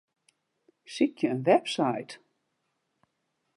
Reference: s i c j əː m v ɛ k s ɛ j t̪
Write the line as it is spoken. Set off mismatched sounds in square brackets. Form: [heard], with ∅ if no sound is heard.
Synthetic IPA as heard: s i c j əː [n] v ɛ [p] s [a] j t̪